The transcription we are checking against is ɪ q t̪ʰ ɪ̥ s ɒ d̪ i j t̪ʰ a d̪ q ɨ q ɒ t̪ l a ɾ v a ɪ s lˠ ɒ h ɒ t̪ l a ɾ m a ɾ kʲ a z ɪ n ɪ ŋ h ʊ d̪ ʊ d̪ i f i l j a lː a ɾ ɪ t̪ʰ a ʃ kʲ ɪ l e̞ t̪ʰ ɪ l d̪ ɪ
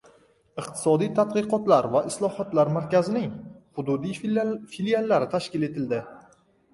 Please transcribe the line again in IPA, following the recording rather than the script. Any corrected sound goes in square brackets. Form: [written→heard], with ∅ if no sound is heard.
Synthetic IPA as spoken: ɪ q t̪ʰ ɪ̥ s ɒ d̪ i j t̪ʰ a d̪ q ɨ q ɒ t̪ l a ɾ v a ɪ s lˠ ɒ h ɒ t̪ l a ɾ m a ɾ kʲ a z ɪ n ɪ ŋ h ʊ d̪ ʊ d̪ i f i l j a lː a ɾ ɪ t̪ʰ a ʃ kʲ ɪ l e̞ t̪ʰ ɪ l d̪ ɪ